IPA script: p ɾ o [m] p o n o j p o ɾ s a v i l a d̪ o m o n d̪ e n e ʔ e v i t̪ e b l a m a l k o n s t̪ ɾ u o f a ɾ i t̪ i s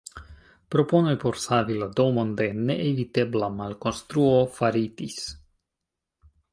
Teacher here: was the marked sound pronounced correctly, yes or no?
no